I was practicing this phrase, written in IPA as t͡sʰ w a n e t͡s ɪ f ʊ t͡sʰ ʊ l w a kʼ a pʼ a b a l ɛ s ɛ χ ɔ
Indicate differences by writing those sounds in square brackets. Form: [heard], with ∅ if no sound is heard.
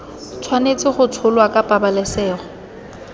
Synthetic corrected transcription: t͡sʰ w a n e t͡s ɪ [χ] ʊ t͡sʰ ʊ l w a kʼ a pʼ a b a l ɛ s [ɛː] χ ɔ